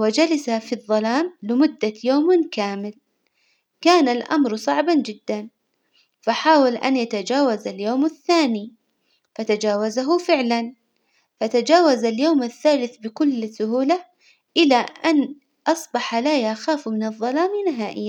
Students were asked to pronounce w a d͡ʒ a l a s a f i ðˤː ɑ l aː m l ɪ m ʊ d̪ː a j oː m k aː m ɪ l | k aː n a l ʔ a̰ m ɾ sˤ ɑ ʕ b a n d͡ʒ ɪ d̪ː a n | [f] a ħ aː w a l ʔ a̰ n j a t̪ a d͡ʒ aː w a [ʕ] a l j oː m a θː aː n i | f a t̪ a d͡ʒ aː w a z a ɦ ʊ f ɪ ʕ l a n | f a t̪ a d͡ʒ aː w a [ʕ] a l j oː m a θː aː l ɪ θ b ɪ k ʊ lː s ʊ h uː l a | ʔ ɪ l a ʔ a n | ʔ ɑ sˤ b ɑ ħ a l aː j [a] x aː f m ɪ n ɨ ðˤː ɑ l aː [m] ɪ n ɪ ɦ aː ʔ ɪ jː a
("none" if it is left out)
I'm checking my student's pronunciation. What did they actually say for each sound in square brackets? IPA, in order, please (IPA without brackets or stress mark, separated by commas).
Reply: f, z, z, a, m